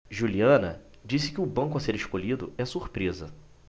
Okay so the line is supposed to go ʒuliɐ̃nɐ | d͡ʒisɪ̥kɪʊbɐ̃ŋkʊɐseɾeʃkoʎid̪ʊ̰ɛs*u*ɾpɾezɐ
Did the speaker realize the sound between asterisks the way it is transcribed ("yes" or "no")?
yes